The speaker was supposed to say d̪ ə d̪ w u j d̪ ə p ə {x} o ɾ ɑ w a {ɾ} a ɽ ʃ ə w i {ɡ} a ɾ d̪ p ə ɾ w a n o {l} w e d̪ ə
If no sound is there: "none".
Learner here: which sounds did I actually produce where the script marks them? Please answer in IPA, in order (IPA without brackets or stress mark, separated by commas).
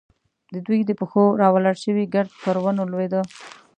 x, l, ɡ, l